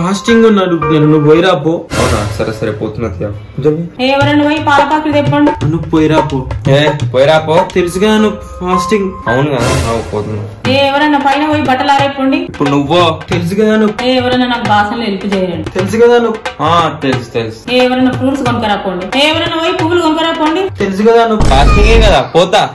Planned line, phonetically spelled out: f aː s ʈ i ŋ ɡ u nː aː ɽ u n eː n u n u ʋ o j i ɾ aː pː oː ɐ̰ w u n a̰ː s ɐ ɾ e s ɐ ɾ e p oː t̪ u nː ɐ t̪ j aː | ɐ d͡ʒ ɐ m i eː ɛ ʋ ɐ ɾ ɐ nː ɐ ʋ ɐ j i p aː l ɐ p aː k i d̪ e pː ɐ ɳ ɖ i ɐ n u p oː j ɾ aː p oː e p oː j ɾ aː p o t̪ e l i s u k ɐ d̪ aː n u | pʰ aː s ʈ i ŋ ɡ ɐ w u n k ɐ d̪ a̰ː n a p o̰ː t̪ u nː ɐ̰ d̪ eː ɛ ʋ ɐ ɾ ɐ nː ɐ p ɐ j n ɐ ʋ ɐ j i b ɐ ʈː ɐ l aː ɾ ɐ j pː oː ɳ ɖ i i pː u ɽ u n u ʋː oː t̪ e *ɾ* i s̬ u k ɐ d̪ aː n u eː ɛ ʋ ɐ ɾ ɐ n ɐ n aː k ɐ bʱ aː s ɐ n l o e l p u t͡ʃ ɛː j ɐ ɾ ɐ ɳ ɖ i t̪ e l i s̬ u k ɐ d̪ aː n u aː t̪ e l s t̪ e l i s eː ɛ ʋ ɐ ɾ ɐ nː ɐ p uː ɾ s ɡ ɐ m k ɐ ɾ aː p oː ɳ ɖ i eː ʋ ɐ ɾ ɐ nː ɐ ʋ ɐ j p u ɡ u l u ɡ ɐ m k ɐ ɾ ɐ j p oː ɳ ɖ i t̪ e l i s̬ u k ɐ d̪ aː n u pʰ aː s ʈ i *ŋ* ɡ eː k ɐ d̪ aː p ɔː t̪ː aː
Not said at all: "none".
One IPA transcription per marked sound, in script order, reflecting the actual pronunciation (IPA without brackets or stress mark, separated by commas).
l, ŋ